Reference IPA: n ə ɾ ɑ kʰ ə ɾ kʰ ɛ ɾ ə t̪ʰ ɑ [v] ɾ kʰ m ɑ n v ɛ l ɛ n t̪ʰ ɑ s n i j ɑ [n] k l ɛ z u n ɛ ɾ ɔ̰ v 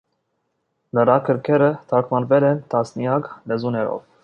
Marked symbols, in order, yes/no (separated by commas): no, no